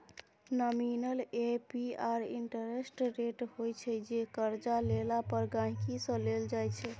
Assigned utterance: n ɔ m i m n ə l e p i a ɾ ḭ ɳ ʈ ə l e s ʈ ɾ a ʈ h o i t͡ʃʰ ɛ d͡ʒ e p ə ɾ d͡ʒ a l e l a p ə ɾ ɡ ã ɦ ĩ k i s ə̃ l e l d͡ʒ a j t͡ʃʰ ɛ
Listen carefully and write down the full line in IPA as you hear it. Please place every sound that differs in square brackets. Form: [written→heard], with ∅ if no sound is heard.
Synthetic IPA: n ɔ m i [m→∅] n ə l e p i a ɾ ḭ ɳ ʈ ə [l→ɾ] e s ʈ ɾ [a→e] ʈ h o [i→j] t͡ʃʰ ɛ d͡ʒ e [p→k] ə ɾ d͡ʒ a l e l a p ə ɾ ɡ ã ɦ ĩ k i s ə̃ l e l d͡ʒ a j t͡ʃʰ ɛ